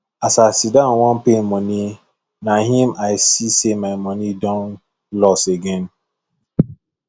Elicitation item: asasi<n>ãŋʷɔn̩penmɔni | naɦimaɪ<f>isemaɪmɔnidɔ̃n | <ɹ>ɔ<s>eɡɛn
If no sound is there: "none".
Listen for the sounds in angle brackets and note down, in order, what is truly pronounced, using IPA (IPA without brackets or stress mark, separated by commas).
d, s, l, s